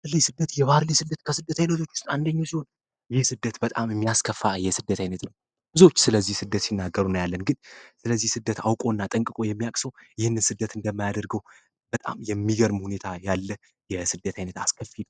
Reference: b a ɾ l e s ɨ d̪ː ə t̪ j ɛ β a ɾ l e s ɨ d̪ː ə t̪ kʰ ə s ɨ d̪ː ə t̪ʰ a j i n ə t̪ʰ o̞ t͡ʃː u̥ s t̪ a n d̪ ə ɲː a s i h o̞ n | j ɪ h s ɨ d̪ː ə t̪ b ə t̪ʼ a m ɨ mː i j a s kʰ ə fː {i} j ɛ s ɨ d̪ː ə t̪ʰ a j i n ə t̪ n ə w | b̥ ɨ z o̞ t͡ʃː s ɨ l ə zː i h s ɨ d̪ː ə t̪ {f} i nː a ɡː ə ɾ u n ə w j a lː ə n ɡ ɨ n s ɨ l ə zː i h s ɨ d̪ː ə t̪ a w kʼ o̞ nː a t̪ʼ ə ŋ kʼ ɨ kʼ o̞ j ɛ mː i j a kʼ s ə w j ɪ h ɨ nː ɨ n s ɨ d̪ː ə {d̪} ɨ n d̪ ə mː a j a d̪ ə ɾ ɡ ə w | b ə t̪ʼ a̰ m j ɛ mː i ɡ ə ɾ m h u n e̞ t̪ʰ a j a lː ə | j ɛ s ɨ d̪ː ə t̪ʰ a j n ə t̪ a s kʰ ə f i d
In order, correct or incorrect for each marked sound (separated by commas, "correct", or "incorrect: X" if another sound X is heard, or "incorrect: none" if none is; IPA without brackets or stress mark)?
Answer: incorrect: a, incorrect: s, incorrect: t̪